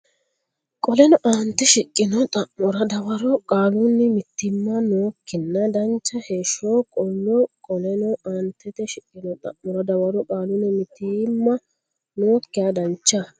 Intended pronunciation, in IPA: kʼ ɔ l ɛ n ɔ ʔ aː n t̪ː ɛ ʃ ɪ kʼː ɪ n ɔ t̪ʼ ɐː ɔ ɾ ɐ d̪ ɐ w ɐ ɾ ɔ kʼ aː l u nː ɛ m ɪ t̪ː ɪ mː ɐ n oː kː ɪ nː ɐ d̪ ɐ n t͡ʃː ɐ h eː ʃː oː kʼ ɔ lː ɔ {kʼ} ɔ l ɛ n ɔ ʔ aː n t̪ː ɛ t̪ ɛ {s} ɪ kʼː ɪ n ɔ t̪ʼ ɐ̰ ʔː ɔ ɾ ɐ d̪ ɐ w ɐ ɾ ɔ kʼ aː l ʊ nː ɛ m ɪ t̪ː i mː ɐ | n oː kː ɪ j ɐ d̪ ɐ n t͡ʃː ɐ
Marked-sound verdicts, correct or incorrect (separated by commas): correct, incorrect